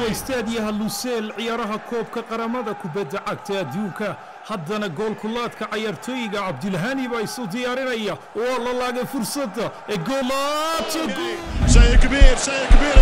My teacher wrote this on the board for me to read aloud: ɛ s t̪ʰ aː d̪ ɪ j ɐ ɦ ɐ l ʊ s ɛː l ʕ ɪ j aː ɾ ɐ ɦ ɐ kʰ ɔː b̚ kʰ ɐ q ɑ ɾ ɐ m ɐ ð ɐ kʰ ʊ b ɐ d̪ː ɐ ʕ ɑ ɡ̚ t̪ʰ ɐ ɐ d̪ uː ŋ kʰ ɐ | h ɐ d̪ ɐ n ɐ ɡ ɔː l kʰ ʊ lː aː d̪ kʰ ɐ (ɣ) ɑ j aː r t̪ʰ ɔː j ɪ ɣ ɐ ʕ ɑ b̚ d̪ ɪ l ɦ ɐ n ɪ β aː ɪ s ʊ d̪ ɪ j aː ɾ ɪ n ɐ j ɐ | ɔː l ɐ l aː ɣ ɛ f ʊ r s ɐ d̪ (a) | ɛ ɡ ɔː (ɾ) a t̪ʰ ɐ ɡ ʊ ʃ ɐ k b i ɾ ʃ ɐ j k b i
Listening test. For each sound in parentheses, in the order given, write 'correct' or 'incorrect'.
incorrect: ʕ, incorrect: ɐ, incorrect: l

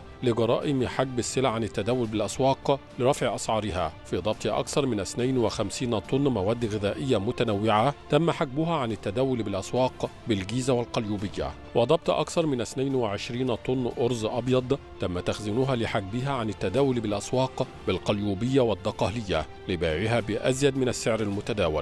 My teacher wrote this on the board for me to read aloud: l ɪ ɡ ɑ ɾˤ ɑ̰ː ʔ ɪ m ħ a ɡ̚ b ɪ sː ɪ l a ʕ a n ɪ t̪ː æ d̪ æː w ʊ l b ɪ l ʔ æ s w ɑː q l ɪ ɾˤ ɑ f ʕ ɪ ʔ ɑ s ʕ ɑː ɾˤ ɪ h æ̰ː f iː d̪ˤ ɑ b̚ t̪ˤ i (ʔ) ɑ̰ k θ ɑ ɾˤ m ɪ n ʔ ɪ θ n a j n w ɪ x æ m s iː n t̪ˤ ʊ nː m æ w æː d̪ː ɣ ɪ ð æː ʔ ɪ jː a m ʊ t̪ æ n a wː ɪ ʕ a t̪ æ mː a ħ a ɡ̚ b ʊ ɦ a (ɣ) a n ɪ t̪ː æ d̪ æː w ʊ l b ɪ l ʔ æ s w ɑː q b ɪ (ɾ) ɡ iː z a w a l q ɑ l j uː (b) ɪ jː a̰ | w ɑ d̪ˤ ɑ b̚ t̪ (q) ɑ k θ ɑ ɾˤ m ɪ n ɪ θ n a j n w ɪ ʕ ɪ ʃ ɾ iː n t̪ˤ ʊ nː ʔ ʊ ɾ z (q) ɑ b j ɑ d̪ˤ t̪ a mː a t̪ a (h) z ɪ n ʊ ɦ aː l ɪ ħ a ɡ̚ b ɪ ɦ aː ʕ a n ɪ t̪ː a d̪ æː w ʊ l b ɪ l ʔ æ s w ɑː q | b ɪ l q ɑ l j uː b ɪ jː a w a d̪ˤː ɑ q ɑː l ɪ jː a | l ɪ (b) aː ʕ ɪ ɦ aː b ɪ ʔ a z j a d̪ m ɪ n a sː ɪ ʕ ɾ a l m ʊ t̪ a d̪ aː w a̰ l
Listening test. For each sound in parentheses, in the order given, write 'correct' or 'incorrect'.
correct, incorrect: ʕ, incorrect: l, correct, incorrect: ʔ, incorrect: ʔ, incorrect: x, correct

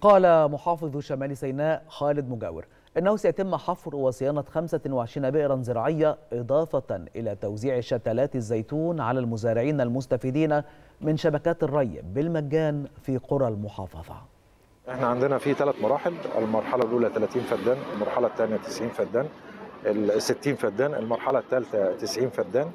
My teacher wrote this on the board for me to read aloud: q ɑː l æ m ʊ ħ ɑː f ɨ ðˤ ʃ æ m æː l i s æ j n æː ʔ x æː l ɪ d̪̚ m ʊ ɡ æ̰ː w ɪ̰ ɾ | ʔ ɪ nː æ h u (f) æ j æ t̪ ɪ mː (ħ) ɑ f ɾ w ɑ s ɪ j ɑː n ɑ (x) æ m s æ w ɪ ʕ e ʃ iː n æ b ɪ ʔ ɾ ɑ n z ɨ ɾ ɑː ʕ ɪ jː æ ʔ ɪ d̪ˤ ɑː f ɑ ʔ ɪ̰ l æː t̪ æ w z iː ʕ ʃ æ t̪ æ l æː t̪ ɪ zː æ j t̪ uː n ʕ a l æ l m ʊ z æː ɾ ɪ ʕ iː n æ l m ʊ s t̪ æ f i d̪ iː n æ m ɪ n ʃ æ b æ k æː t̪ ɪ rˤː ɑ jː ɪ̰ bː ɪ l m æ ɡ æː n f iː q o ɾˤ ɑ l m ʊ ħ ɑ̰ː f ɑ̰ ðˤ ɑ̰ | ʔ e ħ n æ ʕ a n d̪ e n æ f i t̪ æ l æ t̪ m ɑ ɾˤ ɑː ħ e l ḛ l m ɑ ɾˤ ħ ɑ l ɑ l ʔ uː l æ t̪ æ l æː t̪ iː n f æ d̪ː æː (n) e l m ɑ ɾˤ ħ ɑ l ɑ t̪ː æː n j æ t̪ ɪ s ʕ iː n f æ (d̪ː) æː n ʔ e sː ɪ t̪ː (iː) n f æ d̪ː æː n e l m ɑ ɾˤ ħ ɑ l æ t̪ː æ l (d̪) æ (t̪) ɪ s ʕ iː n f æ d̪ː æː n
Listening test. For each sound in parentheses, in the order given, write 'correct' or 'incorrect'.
incorrect: s, correct, correct, correct, correct, correct, incorrect: t̪, correct

